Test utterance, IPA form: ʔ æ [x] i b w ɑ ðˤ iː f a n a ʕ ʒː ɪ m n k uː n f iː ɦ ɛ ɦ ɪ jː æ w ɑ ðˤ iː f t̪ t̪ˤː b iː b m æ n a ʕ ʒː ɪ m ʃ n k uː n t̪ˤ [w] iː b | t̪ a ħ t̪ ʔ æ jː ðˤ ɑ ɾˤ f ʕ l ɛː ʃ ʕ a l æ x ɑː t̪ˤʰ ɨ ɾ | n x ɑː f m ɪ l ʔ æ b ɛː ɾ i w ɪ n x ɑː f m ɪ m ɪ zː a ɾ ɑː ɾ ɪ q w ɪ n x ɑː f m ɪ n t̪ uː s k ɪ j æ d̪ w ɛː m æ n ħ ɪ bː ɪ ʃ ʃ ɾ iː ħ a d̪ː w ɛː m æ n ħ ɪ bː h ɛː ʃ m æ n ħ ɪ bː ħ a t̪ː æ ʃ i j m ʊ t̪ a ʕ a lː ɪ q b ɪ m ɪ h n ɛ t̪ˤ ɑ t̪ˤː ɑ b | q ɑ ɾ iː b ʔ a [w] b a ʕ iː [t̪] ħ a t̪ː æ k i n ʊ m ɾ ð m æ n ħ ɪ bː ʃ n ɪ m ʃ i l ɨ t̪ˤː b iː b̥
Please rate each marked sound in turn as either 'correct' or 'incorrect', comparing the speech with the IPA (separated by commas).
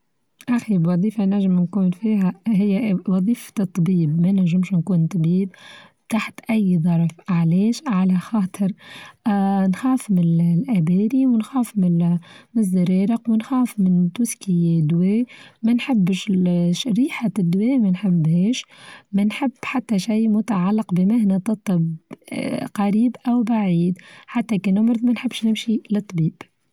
correct, incorrect, correct, incorrect